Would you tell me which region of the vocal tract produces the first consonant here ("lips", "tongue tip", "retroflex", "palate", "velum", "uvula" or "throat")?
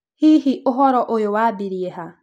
throat